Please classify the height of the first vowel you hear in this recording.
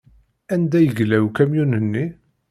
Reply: low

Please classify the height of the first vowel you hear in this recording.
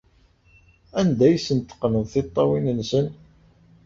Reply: low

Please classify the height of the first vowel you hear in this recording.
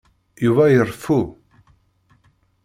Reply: high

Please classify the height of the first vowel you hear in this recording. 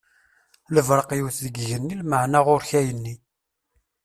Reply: mid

